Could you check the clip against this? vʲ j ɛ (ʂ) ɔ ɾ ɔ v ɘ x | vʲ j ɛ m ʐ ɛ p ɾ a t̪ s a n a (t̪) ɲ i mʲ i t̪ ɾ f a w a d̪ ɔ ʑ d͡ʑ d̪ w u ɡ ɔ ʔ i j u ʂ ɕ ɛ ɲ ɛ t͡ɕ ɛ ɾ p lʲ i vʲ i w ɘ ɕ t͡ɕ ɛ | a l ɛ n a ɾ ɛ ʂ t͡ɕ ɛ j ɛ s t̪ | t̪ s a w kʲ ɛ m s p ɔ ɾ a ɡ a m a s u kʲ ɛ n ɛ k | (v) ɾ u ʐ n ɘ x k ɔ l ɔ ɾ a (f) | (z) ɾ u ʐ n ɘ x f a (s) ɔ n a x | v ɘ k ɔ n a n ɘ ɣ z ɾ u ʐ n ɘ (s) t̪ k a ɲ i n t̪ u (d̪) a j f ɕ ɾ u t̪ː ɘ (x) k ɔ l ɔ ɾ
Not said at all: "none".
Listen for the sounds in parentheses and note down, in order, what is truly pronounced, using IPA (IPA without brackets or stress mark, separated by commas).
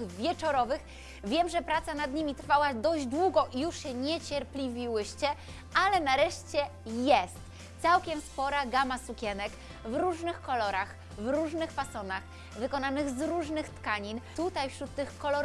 t͡ʂ, d̪, v, x, v, s, x, t̪, x